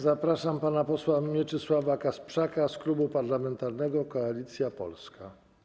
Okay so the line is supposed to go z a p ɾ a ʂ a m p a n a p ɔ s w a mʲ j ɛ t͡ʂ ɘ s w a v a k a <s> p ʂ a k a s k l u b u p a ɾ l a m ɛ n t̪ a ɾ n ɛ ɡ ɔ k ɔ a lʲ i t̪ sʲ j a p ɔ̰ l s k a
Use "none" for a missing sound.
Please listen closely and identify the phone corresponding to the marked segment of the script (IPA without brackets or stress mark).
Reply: s